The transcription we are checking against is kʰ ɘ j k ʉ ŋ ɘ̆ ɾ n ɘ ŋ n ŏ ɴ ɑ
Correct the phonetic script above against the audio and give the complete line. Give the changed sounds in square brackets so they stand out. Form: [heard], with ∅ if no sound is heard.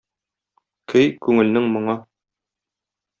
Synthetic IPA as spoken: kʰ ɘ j k ʉ ŋ ɘ̆ [l] n ɘ ŋ [m] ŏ ɴ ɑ